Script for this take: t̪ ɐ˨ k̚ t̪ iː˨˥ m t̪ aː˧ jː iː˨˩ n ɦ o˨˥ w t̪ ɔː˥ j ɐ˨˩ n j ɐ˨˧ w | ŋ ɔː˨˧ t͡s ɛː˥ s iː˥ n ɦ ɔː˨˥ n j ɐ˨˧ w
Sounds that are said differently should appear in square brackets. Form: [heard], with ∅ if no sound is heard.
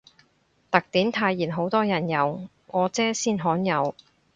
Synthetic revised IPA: t̪ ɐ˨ k̚ t̪ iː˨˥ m [t̪ʰ] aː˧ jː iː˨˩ n ɦ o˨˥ w t̪ ɔː˥ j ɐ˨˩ n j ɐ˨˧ w | ŋ ɔː˨˧ t͡s ɛː˥ s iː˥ n ɦ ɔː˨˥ n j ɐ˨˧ w